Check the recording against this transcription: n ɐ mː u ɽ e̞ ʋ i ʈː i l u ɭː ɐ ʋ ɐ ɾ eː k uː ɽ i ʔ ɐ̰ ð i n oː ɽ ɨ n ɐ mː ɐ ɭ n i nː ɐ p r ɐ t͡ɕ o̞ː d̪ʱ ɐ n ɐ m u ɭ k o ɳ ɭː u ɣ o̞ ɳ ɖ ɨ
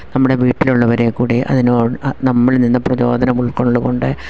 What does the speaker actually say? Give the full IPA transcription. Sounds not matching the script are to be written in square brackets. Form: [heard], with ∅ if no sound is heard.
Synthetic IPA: n ɐ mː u ɽ e̞ ʋ [iː] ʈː i l u ɭː ɐ ʋ ɐ ɾ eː k uː ɽ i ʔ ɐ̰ ð i n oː ɽ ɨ n ɐ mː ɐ ɭ n i nː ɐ p r ɐ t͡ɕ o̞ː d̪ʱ ɐ n ɐ m u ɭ k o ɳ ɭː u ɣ o̞ ɳ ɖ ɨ

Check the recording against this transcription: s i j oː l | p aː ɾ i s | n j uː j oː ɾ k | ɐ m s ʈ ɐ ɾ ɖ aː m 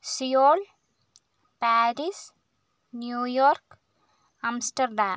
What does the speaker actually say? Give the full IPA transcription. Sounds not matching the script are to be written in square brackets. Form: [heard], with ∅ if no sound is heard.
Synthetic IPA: s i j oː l | p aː ɾ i s | n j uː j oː ɾ k | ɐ m s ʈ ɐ ɾ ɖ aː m

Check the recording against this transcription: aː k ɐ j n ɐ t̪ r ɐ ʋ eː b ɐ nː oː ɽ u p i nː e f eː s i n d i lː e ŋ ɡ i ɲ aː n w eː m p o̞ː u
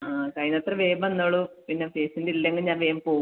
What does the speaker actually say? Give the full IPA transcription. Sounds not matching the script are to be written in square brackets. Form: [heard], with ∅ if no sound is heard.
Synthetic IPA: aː k ɐ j n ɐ t̪ r ɐ ʋ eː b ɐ nː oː [ɭ] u p i nː e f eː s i n d i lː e ŋ ɡ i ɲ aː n [ʋ] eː m p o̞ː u

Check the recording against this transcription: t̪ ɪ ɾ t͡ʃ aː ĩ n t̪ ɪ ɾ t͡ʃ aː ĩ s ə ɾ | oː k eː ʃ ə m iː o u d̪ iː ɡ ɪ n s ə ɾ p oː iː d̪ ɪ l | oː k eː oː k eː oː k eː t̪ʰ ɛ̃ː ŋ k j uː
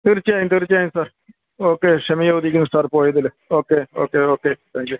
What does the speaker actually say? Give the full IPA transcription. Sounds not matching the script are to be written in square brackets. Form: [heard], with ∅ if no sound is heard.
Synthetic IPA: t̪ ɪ ɾ t͡ʃ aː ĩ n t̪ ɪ ɾ t͡ʃ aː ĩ s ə ɾ | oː k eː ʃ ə m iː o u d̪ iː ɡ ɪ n s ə ɾ p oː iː d̪ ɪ l | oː k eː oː k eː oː k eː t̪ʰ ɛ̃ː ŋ k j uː

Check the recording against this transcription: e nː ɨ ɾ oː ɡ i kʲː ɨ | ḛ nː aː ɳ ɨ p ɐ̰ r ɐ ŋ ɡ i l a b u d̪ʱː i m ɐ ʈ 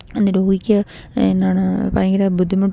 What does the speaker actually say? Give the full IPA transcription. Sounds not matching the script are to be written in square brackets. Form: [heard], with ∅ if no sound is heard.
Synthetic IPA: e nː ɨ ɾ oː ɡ i kʲː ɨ | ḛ nː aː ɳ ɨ p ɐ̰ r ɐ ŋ ɡ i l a b u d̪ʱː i m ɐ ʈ

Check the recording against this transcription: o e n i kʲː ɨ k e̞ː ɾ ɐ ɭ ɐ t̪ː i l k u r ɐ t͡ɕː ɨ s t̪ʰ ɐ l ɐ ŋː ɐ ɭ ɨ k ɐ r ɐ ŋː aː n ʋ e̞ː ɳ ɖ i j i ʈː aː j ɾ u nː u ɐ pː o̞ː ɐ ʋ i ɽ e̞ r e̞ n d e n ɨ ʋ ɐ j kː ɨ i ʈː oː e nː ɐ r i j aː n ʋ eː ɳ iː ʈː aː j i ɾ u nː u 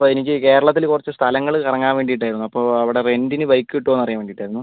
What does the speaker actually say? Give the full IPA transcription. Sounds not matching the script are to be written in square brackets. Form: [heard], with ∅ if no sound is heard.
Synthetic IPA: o e n i kʲː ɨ k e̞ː ɾ ɐ ɭ ɐ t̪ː i l k u r ɐ t͡ɕː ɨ s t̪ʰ ɐ l ɐ ŋː ɐ ɭ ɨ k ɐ r ɐ ŋː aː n ʋ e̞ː ɳ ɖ i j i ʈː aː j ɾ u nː u ɐ pː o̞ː ɐ ʋ i ɽ e̞ r e̞ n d [i] n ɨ ʋ ɐ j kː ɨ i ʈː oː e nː ɐ r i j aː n ʋ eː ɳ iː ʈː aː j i ɾ u nː u

